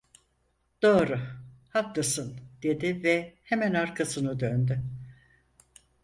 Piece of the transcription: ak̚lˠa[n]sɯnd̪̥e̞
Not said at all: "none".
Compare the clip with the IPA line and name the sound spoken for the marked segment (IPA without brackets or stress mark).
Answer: none